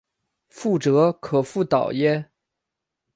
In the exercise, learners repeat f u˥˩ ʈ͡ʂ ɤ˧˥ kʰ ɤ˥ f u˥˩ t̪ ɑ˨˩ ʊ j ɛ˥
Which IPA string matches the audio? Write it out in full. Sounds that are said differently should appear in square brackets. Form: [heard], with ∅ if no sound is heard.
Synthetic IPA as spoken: f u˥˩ ʈ͡ʂ ɤ˧˥ kʰ [ɤ˨˩] f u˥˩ t̪ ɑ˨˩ ʊ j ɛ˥